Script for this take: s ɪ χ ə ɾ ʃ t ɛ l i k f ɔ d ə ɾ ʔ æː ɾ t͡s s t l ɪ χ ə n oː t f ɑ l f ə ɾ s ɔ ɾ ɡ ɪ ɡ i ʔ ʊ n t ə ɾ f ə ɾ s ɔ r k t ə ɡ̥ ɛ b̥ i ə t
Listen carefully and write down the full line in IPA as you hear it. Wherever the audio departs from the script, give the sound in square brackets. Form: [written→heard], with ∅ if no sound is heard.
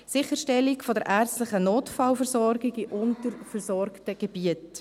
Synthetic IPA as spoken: s ɪ χ ə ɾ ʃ t ɛ l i k f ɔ d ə ɾ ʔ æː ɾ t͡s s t l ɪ χ ə n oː t f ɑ l f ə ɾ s ɔ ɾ ɡ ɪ ɡ i ʔ ʊ n t ə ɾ f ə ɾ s ɔ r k t ə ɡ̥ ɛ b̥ i ə t